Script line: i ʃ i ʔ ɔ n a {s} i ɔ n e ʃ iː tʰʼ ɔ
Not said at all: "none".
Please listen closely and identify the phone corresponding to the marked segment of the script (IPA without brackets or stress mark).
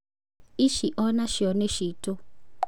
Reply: ʃ